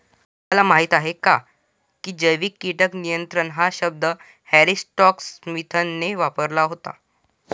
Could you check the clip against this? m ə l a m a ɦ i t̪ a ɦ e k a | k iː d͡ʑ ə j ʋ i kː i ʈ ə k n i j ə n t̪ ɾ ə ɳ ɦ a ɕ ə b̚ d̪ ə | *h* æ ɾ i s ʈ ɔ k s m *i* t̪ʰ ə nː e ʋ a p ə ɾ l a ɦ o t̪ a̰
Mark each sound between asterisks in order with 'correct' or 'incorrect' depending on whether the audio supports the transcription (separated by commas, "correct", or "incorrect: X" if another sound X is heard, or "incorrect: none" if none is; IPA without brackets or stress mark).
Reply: correct, correct